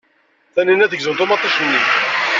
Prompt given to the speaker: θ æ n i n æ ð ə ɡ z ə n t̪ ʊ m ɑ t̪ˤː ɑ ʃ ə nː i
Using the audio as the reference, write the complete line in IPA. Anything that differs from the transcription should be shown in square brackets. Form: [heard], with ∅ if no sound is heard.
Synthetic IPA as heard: θ æ n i n æ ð ə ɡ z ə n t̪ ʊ m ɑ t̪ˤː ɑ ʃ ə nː i